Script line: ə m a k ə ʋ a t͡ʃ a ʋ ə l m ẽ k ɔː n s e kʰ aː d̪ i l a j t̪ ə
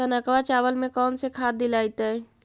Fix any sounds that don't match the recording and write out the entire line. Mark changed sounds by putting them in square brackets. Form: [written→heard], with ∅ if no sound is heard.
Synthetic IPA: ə [m→n] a k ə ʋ a t͡ʃ a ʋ ə l m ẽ k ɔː n s e kʰ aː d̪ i l a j t̪ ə